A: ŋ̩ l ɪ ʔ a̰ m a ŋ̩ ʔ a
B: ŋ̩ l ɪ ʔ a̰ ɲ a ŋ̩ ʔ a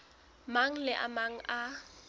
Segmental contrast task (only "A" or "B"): A